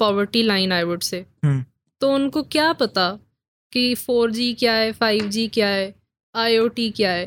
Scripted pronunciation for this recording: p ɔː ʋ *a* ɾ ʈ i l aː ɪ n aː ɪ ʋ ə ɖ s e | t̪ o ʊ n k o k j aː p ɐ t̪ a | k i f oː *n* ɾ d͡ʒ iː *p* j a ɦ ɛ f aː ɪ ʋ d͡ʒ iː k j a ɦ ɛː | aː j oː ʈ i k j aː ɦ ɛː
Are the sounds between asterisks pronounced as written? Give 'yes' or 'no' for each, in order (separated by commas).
no, no, no